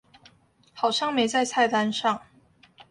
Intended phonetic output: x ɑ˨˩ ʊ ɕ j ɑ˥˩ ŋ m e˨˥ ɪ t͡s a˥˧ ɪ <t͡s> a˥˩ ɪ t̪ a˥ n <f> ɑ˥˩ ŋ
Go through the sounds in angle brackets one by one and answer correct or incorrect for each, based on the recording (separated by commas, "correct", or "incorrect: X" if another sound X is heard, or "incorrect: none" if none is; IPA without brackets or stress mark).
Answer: incorrect: t͡sʰ, incorrect: ʂ